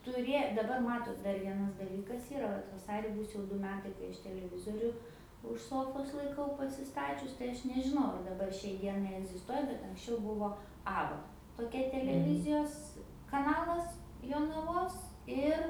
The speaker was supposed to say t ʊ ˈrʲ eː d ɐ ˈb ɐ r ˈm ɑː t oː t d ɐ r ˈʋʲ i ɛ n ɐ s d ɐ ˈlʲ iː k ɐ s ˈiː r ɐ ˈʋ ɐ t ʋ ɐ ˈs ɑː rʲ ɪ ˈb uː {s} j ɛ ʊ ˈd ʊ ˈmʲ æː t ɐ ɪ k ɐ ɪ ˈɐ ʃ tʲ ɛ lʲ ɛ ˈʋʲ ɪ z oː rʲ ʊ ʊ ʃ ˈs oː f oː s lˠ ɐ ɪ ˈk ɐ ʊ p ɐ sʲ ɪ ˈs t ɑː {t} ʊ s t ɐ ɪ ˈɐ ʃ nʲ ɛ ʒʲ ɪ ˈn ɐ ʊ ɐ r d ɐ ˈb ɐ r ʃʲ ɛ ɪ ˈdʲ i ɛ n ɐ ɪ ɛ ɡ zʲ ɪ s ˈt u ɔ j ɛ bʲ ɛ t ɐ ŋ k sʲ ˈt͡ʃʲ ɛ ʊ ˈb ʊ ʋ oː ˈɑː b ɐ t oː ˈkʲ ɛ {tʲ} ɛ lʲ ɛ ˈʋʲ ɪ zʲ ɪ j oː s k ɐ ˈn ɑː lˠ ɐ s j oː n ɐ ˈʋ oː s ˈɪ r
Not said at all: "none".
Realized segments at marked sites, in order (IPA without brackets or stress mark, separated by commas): s, t͡ʃʲ, tʲ